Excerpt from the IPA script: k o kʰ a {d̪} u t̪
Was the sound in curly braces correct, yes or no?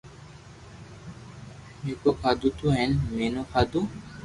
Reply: yes